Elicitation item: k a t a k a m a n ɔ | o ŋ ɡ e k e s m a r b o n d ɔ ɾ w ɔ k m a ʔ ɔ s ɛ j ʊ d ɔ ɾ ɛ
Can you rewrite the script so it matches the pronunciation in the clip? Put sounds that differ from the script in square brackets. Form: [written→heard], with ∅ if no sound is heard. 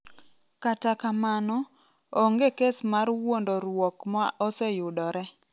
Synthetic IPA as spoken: k a t a k a m a n ɔ | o ŋ ɡ e k e s m a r [b→w] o n d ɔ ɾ w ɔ k m a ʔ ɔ s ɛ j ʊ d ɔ ɾ ɛ